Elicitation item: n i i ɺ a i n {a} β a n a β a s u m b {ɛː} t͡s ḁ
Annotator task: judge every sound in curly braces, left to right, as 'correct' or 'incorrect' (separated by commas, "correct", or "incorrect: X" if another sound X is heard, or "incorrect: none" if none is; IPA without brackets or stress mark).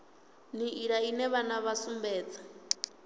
incorrect: ɛ, correct